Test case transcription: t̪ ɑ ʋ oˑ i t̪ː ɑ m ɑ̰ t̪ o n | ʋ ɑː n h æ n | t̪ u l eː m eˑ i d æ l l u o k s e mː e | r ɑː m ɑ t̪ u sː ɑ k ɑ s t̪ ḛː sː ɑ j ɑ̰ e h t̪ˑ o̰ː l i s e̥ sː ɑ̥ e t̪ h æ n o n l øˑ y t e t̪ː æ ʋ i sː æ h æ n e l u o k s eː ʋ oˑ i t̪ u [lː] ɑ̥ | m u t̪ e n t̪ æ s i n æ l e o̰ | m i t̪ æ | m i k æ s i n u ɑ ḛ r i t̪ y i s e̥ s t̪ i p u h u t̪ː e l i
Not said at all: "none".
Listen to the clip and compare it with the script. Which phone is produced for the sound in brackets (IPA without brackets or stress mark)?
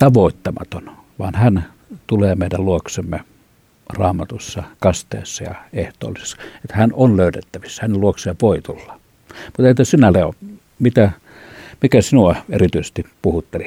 lː